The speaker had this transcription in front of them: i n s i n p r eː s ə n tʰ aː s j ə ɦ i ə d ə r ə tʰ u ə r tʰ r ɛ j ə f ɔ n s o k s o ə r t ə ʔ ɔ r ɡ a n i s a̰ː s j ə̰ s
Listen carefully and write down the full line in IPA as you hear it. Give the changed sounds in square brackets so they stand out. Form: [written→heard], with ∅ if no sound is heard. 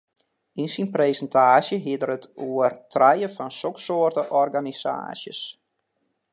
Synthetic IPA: i n s i n p r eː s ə n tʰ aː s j ə ɦ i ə d ə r ə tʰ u ə r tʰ r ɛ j ə f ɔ n s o k s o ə r t ə ʔ ɔ r ɡ a n i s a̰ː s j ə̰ s